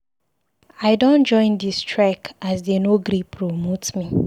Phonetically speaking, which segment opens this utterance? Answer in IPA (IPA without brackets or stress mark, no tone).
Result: a